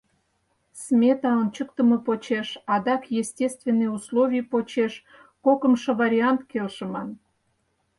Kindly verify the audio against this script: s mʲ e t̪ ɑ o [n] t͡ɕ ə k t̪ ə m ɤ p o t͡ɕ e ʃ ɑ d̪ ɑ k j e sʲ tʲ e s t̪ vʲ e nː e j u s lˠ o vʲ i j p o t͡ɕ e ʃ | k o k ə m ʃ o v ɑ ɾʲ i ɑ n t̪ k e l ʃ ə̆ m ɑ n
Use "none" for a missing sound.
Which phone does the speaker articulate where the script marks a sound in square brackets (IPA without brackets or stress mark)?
n